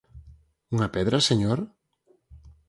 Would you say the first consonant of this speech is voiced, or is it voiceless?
voiced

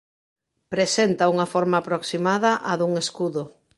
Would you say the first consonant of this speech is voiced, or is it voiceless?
voiceless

